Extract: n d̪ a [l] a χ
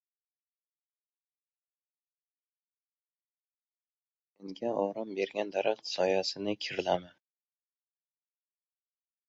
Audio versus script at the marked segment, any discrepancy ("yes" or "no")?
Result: yes